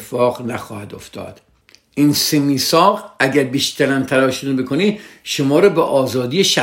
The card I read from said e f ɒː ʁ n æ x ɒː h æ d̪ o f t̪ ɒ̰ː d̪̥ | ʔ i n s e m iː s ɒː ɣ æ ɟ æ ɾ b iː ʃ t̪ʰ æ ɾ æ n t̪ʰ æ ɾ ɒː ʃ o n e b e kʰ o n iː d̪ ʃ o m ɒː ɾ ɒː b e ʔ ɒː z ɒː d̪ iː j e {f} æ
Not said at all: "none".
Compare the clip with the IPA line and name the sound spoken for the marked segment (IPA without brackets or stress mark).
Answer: ʃ